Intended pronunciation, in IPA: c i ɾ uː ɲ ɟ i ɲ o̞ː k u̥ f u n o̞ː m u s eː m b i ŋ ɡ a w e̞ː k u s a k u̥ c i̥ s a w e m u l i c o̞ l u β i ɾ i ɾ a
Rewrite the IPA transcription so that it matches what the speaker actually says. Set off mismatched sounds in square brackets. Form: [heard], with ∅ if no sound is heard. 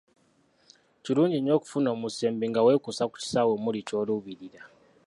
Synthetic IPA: c i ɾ uː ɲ ɟ i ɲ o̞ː k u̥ f u n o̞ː m u s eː m b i ŋ ɡ a w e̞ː k u s a k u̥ c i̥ s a w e m u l i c o̞ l u β i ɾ i ɾ a